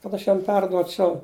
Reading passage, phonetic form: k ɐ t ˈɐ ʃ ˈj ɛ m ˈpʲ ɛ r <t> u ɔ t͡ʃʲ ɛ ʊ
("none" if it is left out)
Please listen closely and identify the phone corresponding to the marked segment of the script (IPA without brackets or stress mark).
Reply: d